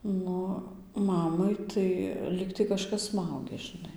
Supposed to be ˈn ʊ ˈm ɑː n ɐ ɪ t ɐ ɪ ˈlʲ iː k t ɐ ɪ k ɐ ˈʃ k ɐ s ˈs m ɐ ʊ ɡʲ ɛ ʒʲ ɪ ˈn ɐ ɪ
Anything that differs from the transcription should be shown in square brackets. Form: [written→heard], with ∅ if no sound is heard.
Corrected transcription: ˈn ʊ ˈm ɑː [n→m] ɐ ɪ t ɐ ɪ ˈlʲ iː k t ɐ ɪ k ɐ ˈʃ k ɐ s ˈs m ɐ ʊ ɡʲ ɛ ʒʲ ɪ ˈn ɐ ɪ